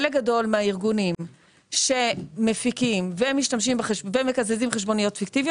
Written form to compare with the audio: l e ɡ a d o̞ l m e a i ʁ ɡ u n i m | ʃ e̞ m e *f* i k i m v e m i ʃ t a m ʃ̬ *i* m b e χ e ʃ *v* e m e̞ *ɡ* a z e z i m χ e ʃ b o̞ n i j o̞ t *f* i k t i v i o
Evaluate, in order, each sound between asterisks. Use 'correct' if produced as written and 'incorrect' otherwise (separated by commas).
correct, correct, correct, incorrect, correct